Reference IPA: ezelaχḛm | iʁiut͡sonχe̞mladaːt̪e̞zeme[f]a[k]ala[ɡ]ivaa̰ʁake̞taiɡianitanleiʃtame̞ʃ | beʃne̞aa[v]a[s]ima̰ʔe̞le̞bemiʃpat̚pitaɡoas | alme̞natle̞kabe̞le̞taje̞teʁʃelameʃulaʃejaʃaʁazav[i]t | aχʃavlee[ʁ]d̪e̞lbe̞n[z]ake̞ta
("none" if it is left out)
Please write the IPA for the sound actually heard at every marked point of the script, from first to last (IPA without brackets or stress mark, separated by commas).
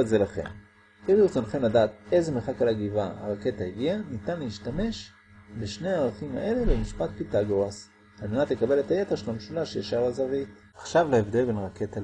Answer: χ, k, ɡ, ʁ, χ, i, v, ʁ